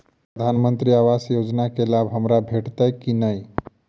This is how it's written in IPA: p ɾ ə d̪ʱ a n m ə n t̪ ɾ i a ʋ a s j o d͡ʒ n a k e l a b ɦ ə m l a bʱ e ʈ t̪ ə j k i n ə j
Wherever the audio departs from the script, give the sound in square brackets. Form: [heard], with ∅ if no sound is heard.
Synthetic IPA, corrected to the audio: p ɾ ə d̪ʱ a n m ə n t̪ ɾ i a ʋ a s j o d͡ʒ n a k e l a b ɦ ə m [ɾ] a bʱ e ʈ t̪ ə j k i n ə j